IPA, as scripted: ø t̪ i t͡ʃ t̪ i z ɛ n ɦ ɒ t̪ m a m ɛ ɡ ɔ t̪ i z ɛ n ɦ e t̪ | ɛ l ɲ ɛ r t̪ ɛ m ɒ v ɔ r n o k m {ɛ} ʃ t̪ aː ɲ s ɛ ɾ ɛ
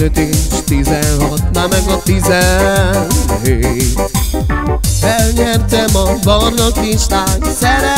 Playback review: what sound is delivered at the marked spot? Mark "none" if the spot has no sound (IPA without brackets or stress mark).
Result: i